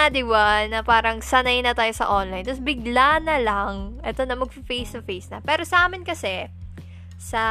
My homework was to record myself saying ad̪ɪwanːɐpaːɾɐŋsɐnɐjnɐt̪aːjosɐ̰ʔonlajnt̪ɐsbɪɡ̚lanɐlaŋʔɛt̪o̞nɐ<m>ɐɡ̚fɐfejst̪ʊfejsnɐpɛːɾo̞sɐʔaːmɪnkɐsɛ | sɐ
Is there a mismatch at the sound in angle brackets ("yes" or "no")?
no